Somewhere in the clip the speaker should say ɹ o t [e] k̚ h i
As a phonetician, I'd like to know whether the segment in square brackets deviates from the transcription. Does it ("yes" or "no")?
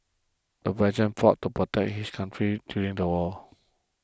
yes